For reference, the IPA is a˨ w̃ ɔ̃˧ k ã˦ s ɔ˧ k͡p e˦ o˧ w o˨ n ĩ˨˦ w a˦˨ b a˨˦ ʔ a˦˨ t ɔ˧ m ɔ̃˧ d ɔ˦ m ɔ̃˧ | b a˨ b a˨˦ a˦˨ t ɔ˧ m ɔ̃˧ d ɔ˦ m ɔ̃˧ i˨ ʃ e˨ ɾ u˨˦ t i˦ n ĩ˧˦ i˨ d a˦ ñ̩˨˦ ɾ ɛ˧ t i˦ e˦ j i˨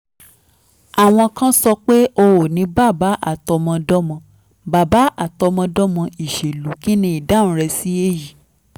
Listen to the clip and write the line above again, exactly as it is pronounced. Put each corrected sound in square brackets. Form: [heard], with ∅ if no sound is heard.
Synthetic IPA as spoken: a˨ w̃ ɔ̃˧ k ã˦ s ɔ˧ k͡p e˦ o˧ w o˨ n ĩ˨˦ [b] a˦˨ b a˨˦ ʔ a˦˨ t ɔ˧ m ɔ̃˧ d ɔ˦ m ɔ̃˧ | b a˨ b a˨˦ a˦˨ t ɔ˧ m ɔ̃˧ d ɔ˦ m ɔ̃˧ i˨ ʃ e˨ [l] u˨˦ [k] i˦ n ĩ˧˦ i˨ d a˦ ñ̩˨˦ ɾ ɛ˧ [s] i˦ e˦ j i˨